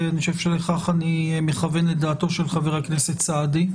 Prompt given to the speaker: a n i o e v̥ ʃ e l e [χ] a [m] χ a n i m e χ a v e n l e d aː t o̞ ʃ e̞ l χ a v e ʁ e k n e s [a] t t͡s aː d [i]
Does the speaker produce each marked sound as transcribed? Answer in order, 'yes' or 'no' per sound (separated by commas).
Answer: yes, no, no, yes